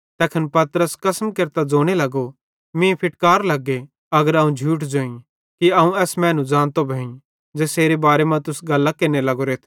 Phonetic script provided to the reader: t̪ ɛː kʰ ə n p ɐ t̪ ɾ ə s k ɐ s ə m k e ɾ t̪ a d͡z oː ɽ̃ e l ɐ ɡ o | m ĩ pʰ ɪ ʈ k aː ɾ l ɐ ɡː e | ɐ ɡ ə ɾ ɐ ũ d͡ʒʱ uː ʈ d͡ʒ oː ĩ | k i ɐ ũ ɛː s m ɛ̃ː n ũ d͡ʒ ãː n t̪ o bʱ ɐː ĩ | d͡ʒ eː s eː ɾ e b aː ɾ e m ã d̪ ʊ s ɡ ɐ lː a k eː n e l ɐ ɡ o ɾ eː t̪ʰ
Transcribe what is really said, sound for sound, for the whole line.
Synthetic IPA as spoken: t̪ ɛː kʰ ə n p ɐ t̪ ɾ ə s k ɐ s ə m k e ɾ t̪ a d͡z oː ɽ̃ e l ɐ ɡ o | m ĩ pʰ ɪ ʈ k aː ɾ l ɐ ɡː e | ɐ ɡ ə ɾ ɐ ũ d͡ʒʱ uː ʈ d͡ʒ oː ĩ | k i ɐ ũ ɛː s m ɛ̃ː n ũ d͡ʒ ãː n t̪ o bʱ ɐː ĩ | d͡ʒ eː s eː ɾ e b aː ɾ e m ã t̪ ʊ s ɡ ɐ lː a k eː n e l ɐ ɡ o ɾ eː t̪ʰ